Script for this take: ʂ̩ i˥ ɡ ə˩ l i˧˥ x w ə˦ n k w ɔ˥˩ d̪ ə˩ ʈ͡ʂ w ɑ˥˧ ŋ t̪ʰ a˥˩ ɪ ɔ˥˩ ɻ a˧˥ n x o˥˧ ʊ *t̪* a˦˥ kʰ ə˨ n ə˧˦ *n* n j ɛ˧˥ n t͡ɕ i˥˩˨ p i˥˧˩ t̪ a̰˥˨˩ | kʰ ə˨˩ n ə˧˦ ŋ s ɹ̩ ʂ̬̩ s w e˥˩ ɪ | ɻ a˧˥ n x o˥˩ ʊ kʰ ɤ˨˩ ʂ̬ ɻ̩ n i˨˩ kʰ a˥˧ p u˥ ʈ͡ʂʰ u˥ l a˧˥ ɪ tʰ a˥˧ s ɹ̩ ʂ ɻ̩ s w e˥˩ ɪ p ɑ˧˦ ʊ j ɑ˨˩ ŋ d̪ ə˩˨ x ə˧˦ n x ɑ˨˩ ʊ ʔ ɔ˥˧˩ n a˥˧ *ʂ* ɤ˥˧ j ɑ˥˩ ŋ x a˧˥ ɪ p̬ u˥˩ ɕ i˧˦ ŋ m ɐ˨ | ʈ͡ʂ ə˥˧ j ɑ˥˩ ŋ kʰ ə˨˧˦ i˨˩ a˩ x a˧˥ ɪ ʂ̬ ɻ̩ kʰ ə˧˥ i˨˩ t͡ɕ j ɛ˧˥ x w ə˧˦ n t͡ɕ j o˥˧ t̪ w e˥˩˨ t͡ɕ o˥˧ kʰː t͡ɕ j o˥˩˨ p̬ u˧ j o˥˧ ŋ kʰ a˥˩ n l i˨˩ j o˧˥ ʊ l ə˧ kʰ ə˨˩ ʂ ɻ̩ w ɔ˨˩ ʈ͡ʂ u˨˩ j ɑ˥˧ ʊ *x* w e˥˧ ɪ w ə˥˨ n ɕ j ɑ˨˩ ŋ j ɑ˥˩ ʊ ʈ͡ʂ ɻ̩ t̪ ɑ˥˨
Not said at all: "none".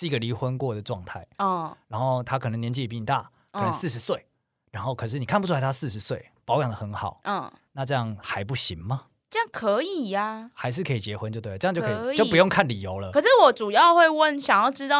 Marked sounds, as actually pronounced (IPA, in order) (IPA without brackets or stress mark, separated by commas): t̪ʰ, ŋ, ʈ͡ʂ, x